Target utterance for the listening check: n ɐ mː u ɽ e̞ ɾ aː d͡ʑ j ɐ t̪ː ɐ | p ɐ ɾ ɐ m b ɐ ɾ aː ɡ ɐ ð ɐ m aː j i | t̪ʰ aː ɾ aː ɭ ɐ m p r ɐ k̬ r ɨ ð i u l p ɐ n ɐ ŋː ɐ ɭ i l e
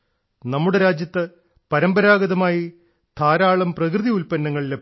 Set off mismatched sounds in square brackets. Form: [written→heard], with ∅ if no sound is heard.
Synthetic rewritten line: n ɐ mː u ɽ e̞ ɾ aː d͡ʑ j ɐ t̪ː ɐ | p ɐ ɾ ɐ m b ɐ ɾ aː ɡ ɐ ð ɐ m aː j i | t̪ʰ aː ɾ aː ɭ ɐ m p r ɐ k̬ r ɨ ð i u l p ɐ [n→nː] ɐ ŋː ɐ ɭ i l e